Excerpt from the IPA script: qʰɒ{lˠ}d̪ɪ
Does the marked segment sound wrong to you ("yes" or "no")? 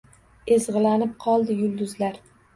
no